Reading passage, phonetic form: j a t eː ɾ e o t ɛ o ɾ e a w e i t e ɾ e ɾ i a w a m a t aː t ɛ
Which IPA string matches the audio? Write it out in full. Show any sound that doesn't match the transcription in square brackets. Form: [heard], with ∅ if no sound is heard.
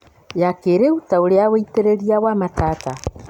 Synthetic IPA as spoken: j a [k] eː ɾ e [u] t [a] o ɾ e a w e i t e ɾ e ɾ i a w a m a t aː t [a]